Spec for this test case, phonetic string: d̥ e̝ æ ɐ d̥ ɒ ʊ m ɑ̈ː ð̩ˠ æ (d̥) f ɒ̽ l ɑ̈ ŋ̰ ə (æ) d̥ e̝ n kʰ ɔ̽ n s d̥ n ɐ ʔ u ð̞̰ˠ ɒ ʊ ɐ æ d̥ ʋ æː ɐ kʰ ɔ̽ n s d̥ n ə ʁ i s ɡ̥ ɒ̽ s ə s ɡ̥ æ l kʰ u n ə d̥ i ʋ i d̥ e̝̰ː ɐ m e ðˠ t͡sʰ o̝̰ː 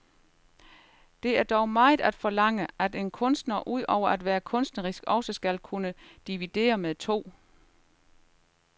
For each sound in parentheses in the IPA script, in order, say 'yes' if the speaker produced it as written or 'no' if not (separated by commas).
yes, yes